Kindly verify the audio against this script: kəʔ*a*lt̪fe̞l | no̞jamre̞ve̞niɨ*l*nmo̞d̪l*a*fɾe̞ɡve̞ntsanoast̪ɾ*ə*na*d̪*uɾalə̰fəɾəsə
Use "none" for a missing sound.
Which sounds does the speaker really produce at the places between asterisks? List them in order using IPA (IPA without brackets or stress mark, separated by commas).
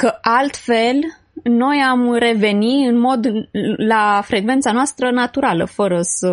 a, none, a, ə, t̪